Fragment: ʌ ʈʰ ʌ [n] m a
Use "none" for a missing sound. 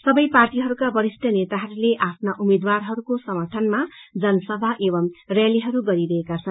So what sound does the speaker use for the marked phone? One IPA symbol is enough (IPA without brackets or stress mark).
n